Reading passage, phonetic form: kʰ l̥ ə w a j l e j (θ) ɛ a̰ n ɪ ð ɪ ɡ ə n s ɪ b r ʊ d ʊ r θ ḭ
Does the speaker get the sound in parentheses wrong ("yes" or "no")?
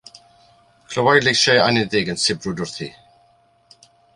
yes